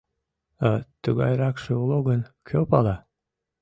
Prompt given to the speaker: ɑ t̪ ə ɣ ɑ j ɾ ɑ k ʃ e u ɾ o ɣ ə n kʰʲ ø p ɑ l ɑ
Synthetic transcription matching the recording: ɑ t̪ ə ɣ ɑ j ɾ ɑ k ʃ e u l o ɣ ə n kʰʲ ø p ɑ l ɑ